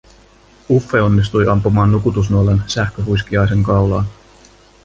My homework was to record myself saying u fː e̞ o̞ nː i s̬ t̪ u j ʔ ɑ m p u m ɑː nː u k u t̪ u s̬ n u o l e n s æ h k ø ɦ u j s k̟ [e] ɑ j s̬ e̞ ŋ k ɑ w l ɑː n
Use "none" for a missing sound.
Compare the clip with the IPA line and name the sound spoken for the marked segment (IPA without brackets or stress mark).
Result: i